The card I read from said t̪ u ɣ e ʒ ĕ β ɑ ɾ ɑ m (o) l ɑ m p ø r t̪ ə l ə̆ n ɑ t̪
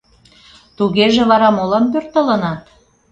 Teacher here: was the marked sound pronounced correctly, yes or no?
yes